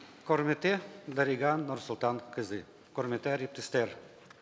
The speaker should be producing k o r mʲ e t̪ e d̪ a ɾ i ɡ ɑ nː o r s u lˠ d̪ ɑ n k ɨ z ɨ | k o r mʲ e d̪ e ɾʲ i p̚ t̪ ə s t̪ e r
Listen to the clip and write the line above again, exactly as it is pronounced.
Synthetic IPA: k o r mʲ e t̪ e d̪ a ɾ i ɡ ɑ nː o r s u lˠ t̪ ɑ n k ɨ z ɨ | k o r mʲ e t̪ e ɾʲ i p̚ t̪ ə s t̪ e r